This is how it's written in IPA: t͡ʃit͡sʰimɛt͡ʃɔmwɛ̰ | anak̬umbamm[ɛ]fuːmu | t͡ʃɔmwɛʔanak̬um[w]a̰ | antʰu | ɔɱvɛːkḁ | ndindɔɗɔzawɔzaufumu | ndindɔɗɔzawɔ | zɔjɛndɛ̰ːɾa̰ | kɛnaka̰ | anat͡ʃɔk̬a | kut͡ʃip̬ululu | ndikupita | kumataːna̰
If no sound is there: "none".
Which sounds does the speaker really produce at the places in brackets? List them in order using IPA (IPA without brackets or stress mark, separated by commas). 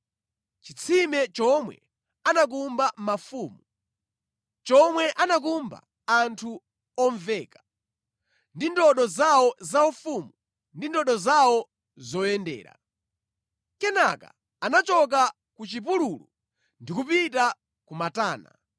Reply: a, b